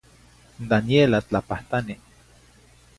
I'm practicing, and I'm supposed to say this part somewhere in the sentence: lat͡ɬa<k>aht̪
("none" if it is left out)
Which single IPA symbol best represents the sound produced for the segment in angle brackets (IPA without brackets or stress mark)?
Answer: p